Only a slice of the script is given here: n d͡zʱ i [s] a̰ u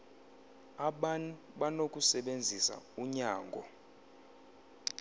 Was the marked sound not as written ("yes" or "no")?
no